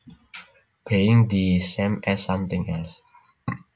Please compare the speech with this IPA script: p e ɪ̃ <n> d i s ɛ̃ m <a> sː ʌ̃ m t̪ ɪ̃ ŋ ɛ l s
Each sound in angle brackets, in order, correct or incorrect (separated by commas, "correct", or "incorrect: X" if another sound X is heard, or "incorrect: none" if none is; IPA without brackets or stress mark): incorrect: ŋ, incorrect: ɛ